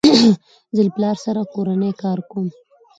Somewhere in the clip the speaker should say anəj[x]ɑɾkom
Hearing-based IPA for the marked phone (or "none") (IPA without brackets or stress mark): k